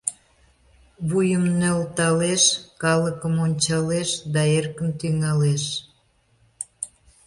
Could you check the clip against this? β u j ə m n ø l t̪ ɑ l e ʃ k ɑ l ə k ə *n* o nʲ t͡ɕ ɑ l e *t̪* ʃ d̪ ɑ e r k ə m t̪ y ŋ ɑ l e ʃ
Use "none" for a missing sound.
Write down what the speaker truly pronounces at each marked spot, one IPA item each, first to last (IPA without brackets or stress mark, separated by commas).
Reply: m, none